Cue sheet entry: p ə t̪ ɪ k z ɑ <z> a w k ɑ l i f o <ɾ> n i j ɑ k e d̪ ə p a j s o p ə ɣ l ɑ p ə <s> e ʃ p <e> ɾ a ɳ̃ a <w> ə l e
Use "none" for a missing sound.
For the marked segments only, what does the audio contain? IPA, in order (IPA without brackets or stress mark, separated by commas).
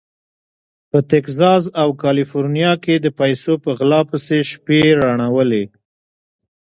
z, ɾ, s, e, w